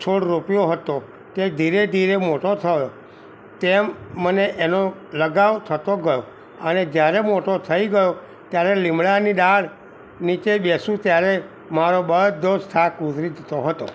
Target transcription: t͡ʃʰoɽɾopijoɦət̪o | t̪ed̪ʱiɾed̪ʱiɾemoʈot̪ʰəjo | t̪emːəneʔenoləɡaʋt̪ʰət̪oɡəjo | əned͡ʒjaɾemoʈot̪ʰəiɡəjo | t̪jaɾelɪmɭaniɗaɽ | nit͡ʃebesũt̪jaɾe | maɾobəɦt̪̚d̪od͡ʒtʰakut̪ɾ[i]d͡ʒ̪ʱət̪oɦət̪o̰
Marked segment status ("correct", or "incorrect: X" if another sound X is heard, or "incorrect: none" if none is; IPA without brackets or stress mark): correct